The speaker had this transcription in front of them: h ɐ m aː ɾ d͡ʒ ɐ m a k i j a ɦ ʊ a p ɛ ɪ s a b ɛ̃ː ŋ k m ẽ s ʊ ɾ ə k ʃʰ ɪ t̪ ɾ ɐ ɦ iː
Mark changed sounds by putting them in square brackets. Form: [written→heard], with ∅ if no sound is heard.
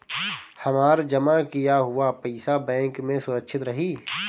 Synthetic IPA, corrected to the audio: h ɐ m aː ɾ d͡ʒ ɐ m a k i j a ɦ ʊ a p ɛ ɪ s a b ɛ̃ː ŋ k m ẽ s ʊ ɾ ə k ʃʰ ɪ t̪ ɾ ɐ ɦ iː